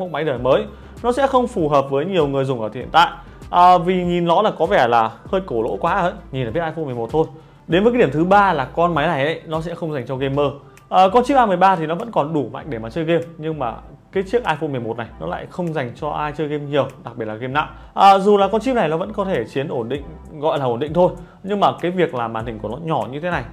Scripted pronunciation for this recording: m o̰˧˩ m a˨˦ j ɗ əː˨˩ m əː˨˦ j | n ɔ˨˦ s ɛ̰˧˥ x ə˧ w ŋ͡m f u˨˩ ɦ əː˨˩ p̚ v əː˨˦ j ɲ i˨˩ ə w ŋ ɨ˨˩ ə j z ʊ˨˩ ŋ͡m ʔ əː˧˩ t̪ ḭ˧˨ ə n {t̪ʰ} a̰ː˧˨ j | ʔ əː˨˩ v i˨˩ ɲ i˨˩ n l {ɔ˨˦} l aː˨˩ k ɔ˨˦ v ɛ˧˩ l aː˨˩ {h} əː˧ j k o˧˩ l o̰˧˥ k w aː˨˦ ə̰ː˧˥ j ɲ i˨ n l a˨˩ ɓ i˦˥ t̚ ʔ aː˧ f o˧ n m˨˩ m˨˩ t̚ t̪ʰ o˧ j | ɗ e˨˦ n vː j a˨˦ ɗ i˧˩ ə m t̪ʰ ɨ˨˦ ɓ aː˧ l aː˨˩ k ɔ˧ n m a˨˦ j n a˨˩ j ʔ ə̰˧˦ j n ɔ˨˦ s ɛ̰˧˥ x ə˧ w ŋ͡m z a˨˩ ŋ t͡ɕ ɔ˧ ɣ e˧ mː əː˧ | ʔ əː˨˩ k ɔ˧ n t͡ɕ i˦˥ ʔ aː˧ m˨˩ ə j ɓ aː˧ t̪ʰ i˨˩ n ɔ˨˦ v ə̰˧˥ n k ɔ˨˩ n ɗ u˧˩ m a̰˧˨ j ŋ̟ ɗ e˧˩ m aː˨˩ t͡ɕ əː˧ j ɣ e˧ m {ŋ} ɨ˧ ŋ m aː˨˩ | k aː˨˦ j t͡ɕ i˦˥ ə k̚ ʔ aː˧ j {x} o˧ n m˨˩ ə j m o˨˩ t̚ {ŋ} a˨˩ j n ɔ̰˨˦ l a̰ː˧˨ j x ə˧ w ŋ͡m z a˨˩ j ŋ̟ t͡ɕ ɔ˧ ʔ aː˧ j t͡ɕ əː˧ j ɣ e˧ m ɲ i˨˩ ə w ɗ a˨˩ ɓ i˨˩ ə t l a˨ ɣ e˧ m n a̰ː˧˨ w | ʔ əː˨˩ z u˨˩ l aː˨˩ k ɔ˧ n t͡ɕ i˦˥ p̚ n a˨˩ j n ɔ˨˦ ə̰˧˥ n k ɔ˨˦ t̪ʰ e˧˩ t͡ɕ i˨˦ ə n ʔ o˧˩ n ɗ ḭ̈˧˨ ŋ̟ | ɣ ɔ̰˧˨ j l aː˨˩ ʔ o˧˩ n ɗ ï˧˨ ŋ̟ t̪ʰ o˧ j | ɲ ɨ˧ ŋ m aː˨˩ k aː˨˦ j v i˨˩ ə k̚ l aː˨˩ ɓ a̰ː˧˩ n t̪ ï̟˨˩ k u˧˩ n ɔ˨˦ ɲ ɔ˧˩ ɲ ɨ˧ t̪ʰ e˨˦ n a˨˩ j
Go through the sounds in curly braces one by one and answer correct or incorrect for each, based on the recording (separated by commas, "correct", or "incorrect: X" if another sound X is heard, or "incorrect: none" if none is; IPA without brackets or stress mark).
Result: incorrect: t̪, correct, correct, incorrect: ɲ, incorrect: f, incorrect: n